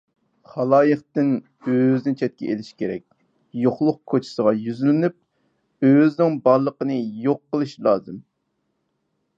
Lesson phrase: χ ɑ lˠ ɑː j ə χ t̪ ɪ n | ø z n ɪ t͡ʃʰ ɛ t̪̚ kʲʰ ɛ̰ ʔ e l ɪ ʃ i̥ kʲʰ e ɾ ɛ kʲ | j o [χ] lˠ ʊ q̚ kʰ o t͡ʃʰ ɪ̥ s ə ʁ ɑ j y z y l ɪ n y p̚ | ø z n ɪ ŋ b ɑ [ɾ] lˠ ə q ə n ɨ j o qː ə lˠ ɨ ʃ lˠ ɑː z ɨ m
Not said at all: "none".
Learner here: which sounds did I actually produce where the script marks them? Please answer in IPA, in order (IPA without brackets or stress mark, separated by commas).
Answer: χ, ɾ